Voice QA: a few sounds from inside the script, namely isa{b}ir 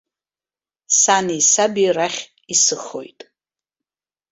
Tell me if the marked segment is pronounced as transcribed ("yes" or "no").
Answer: yes